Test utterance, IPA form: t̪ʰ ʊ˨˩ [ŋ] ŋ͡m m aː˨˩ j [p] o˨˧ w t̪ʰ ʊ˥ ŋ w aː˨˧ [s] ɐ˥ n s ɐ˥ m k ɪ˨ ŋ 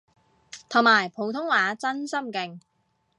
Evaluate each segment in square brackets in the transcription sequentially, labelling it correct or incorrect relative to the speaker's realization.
correct, incorrect: pʰ, incorrect: t͡s

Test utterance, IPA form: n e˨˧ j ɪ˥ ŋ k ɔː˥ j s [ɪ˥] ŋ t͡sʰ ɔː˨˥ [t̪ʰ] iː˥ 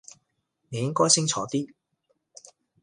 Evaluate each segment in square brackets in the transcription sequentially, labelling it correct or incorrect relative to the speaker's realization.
correct, incorrect: t̪

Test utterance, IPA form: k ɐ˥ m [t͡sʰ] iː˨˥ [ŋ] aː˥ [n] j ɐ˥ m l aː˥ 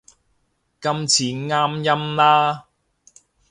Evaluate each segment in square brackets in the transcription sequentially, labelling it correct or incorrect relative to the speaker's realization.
correct, correct, incorrect: m

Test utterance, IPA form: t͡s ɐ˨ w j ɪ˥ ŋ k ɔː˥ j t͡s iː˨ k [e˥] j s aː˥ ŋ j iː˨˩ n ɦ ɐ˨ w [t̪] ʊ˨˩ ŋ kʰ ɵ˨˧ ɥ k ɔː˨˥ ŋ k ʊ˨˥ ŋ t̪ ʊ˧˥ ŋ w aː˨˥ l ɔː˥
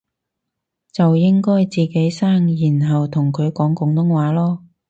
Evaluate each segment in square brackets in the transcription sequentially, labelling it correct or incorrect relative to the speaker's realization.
incorrect: e˨˥, incorrect: t̪ʰ

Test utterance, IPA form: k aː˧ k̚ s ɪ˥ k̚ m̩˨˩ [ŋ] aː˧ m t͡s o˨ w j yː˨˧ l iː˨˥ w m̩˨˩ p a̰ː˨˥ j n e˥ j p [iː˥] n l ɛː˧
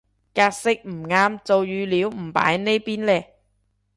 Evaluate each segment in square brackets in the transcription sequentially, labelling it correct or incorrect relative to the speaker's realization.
correct, correct

